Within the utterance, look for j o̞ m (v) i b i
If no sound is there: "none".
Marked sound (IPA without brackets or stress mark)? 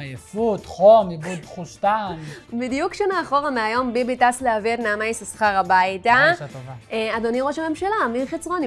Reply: b